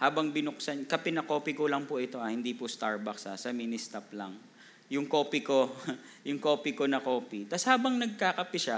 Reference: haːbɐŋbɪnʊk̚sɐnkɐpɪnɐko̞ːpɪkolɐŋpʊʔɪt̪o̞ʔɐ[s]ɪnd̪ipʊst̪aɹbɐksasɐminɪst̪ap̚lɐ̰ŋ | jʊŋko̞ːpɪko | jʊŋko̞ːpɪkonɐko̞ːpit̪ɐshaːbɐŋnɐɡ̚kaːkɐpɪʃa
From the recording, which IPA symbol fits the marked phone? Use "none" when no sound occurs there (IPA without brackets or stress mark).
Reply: h